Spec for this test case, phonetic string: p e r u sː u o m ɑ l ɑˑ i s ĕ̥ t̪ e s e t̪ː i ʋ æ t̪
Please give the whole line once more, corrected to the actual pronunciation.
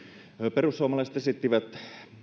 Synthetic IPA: p e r u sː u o m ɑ l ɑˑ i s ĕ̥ t̪ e s i t̪ː i ʋ æ t̪